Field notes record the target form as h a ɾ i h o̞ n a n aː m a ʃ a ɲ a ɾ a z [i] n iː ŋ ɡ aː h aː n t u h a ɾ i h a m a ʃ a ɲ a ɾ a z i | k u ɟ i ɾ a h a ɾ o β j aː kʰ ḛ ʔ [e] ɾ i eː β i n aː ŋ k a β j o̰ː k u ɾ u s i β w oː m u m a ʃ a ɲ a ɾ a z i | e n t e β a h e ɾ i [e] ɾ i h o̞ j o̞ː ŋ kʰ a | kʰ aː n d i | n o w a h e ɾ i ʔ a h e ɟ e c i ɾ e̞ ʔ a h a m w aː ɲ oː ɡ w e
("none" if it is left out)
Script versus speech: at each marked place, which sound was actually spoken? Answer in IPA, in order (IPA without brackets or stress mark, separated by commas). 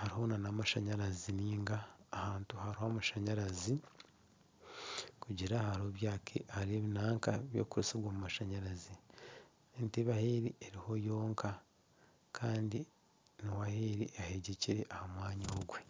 i, a, e